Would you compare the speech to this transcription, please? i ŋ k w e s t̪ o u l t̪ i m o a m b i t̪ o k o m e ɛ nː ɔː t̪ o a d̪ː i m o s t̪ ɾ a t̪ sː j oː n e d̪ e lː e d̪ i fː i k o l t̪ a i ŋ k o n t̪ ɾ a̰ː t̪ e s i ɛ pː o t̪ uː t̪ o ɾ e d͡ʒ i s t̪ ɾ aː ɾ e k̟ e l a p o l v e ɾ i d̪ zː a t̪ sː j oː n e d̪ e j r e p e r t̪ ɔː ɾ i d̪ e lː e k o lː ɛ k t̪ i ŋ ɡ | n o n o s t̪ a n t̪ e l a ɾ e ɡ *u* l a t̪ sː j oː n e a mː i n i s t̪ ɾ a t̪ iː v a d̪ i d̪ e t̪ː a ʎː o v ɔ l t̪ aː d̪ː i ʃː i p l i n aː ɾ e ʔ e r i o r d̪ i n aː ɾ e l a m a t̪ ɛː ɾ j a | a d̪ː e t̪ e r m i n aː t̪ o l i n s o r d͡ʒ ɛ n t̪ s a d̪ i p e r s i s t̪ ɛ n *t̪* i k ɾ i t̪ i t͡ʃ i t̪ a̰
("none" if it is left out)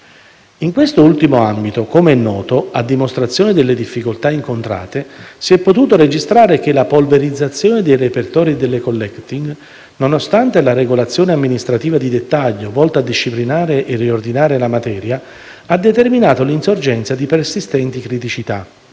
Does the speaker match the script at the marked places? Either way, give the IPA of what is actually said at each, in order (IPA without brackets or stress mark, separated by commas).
o, t̪